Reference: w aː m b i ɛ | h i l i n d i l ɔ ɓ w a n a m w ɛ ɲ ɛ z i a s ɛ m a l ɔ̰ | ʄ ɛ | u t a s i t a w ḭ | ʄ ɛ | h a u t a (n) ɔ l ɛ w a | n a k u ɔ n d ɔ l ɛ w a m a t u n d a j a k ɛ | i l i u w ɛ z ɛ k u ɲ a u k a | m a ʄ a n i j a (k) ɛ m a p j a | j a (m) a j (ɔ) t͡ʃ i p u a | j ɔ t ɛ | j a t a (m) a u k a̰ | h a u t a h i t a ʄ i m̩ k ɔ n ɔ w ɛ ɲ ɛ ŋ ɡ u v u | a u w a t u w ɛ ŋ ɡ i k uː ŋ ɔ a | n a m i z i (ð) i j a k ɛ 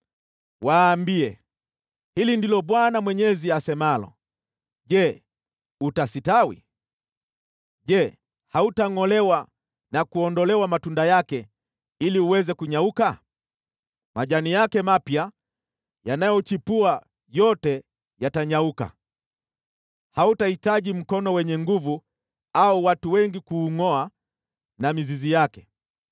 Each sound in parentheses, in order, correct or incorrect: incorrect: ŋ, correct, incorrect: n, correct, incorrect: ɲ, incorrect: z

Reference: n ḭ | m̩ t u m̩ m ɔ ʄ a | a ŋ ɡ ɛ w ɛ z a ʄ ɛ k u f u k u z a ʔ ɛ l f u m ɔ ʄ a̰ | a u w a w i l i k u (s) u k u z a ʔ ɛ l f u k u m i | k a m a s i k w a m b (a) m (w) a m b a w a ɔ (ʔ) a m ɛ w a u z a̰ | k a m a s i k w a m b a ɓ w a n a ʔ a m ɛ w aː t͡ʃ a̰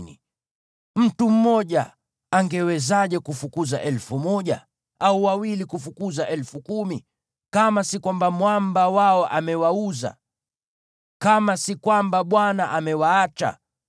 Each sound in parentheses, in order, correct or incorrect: incorrect: f, correct, correct, correct

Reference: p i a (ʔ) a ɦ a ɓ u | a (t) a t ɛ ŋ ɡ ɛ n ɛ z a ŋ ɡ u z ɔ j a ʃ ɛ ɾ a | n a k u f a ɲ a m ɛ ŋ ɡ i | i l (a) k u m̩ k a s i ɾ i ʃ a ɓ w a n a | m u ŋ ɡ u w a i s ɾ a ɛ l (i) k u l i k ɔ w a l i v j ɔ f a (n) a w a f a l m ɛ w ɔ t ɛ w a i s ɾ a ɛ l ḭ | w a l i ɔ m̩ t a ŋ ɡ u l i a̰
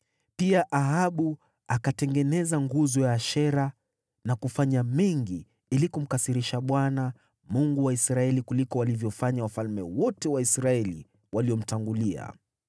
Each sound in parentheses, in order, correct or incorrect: correct, incorrect: k, incorrect: i, correct, incorrect: ɲ

